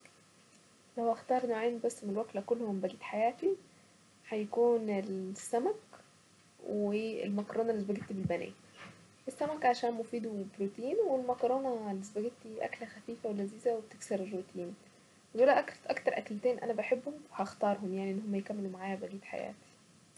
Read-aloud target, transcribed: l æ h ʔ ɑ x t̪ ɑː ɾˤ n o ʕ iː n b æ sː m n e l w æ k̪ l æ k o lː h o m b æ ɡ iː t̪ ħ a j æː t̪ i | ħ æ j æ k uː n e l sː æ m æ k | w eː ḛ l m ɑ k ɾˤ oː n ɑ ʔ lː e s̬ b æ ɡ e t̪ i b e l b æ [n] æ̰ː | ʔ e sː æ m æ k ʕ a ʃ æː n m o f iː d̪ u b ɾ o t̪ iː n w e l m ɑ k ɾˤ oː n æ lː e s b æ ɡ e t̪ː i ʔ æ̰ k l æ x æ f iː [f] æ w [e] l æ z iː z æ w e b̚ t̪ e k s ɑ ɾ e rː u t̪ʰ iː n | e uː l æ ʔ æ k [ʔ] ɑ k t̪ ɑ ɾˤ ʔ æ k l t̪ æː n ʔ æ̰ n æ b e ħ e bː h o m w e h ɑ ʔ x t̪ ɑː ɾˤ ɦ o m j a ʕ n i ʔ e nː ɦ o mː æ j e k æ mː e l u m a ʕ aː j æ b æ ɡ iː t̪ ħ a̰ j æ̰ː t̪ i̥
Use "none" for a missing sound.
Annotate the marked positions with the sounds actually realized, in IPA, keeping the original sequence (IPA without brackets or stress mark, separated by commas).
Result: n, f, e, ʔ